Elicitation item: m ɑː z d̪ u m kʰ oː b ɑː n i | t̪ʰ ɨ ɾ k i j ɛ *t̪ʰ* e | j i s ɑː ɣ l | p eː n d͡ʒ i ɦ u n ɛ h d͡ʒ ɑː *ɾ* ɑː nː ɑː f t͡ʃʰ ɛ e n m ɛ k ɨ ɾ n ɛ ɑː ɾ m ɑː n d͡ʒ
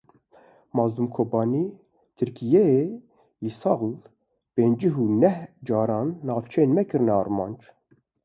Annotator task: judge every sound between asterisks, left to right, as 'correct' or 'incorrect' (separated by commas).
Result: incorrect, correct